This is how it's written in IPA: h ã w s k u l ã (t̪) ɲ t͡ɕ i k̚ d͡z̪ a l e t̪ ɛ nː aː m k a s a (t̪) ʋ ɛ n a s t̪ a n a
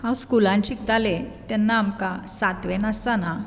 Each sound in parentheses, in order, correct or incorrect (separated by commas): incorrect, correct